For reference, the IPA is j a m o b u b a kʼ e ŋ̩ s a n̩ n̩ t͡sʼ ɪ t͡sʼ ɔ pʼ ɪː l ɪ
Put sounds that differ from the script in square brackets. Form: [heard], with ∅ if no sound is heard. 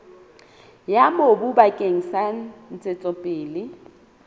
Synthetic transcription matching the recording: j a m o b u b a kʼ e ŋ̩ s a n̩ n̩ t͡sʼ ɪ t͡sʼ ɔ pʼ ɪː l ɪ